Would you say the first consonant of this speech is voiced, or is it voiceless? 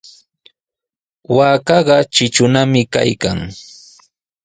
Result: voiced